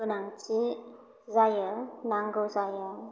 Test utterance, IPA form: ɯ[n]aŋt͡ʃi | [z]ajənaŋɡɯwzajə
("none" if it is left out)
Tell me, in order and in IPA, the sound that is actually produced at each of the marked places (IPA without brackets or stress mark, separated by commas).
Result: n, z